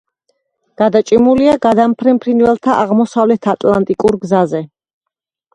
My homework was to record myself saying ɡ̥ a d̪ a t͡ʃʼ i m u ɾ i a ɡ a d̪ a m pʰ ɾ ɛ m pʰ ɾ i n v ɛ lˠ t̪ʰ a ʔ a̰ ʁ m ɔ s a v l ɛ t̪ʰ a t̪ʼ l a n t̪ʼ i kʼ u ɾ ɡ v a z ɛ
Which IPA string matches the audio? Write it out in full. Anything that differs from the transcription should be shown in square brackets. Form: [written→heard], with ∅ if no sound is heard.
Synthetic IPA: ɡ̥ a d̪ a t͡ʃʼ i m u [ɾ→l] i a ɡ a d̪ a m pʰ ɾ ɛ m pʰ ɾ i n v ɛ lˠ t̪ʰ a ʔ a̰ ʁ m ɔ s a v l ɛ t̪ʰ a t̪ʼ l a n t̪ʼ i kʼ u ɾ ɡ [v→z] a z ɛ